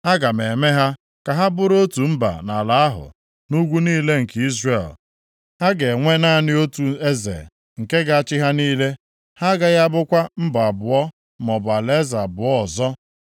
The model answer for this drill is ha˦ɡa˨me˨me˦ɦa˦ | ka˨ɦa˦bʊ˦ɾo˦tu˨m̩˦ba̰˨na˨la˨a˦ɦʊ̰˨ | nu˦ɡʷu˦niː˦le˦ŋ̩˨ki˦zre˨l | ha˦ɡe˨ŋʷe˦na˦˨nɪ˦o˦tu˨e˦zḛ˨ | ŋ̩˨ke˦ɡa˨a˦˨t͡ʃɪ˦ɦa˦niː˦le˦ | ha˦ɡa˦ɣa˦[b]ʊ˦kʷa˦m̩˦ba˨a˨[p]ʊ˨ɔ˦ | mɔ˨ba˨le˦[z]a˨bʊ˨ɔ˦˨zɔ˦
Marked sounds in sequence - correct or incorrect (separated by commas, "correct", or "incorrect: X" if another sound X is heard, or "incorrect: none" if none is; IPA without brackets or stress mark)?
correct, incorrect: b, correct